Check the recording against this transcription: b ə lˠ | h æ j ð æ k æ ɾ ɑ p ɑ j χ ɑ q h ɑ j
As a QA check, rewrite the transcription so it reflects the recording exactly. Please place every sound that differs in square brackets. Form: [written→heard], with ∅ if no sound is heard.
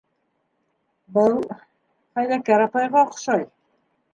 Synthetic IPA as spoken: b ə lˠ | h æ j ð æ k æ ɾ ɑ p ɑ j [χ→ʁ] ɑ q [h→ʃ] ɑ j